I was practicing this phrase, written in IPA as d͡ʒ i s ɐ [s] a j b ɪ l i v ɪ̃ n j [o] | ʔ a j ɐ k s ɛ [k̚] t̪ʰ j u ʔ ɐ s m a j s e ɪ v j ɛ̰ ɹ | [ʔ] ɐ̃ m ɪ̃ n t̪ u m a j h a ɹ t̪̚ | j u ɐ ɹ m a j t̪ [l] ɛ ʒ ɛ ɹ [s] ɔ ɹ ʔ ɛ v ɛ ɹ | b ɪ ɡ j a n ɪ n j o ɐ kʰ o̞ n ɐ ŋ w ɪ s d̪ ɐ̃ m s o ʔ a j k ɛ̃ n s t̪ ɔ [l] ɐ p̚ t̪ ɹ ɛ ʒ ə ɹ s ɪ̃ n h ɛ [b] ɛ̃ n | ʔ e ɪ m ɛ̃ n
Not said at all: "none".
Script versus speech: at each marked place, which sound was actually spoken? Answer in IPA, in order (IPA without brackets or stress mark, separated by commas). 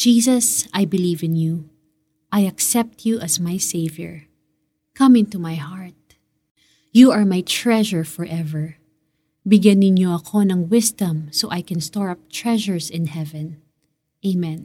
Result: s, u, p̚, k, ɹ, f, ɹ, v